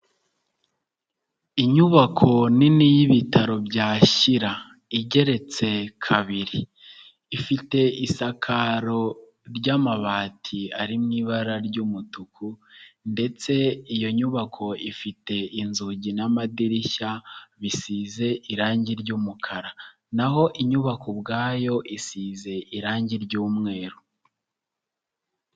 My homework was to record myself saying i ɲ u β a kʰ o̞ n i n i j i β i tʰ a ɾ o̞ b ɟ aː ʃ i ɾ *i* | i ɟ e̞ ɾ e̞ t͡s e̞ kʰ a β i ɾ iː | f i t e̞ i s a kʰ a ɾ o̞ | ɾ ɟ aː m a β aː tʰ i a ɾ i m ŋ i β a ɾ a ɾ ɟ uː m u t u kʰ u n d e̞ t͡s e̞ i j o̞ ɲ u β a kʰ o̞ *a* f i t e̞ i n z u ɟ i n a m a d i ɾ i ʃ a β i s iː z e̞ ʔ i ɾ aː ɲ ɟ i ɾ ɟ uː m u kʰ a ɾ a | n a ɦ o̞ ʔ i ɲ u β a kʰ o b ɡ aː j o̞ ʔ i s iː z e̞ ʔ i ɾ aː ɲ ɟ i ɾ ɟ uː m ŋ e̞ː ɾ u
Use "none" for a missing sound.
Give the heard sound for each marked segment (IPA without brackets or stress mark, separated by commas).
a, i